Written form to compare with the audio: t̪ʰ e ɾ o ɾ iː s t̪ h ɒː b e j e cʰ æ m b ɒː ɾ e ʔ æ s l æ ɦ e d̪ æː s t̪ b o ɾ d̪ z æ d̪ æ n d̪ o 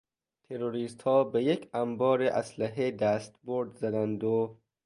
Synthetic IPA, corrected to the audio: t̪ʰ e ɾ o ɾ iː s t̪ h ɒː b e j e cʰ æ m b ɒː ɾ e ʔ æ s l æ ɦ e d̪ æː s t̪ b o ɾ d̪ z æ d̪ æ n d̪ o